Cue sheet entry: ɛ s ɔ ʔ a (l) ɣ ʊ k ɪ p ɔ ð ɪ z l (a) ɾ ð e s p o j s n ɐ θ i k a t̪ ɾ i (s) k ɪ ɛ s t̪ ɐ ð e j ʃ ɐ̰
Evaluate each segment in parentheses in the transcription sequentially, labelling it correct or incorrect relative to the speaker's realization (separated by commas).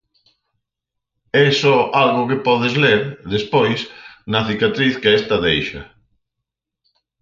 correct, incorrect, incorrect